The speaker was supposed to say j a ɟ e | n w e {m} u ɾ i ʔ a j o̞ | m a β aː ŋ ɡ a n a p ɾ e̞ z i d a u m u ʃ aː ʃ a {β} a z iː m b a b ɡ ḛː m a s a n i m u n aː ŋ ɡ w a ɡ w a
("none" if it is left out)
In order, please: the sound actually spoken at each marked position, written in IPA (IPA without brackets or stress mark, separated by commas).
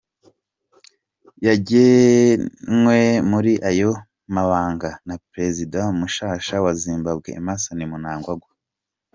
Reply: m, w